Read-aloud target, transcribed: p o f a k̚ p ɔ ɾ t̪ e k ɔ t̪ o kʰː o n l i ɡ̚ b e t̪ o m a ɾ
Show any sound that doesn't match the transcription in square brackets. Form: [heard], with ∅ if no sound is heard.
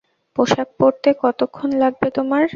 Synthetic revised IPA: p o [ʃ] a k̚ p [o] ɾ t̪ e k ɔ t̪ o kʰː o n l [a] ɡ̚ b e t̪ o m a ɾ